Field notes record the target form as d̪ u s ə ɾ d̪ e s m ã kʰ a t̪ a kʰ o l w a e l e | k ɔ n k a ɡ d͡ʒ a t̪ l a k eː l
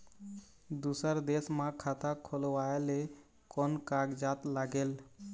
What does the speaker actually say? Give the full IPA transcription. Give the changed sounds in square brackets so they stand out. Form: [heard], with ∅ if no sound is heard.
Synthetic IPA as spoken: d̪ u s ə ɾ d̪ e s m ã kʰ a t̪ a kʰ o l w a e l e | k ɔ n k a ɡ d͡ʒ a t̪ l a [ɡ] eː l